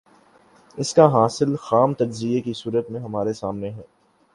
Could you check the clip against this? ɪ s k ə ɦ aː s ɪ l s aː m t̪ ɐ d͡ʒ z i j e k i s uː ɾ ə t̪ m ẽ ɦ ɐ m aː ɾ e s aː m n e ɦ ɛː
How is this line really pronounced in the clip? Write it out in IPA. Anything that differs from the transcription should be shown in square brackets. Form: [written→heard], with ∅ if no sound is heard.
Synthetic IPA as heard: ɪ s k [ə→a] ɦ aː s ɪ l [s→x] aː m t̪ ɐ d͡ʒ z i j e k i s uː ɾ ə t̪ m ẽ ɦ ɐ m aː ɾ e s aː m n e ɦ ɛː